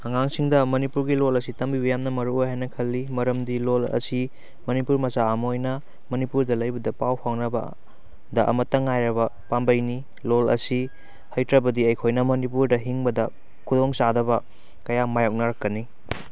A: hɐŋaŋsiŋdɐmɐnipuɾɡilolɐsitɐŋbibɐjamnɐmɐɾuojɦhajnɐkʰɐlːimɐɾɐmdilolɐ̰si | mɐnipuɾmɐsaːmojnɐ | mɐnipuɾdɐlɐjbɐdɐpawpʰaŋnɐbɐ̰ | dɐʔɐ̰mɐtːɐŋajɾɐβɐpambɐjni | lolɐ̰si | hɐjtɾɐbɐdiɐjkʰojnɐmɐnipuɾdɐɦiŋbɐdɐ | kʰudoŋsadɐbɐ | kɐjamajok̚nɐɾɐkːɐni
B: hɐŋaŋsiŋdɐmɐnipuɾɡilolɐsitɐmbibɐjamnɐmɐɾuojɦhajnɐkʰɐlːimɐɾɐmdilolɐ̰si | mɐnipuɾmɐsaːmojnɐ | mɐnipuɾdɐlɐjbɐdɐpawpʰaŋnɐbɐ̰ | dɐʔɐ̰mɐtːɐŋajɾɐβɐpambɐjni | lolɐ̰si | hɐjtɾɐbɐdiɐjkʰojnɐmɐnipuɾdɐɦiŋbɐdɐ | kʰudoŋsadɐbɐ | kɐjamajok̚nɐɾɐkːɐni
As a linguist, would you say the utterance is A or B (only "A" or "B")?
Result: B